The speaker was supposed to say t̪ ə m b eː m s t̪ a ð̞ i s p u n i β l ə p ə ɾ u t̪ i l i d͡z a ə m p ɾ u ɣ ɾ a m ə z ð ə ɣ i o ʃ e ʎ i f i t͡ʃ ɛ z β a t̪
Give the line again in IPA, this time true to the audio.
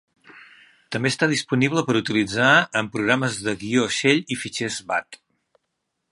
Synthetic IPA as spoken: t̪ ə m b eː s t̪ a ð̞ i s p u n i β l ə p ə ɾ u t̪ i l i d͡z a ə m p ɾ u ɣ ɾ a m ə z ð ə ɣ i o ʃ e ʎ i f i t͡ʃ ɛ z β a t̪